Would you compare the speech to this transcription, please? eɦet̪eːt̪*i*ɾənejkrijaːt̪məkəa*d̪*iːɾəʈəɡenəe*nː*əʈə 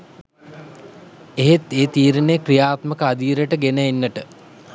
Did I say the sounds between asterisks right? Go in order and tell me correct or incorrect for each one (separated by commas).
incorrect, correct, correct